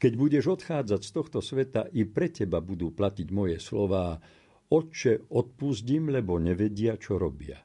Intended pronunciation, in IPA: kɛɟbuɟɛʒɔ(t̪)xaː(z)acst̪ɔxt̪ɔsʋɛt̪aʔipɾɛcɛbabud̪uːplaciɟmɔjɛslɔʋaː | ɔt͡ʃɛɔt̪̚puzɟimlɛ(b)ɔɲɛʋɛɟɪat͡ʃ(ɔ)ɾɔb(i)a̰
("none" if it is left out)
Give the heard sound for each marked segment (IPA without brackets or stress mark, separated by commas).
t̪, d͡z, b, ɔ, ɪ